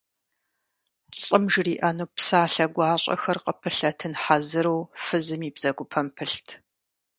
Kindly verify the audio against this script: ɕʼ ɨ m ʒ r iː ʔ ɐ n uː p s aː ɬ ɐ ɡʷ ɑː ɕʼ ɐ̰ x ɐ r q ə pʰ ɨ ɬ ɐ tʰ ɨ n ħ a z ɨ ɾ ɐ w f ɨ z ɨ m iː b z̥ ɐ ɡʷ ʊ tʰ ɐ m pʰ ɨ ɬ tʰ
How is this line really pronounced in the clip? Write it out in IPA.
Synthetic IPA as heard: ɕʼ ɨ m ʒ r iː ʔ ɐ n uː p s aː ɬ ɐ ɡʷ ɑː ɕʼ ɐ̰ x ɐ r q ə pʰ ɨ ɬ ɐ tʰ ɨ n ħ a z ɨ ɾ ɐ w f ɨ z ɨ m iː b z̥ ɐ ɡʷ ʊ pʰ ɐ m pʰ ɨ ɬ tʰ